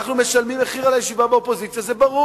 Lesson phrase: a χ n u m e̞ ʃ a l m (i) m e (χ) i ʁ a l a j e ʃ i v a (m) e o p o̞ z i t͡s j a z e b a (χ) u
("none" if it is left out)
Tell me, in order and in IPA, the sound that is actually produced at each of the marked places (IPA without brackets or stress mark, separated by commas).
i, χ, b, ʁ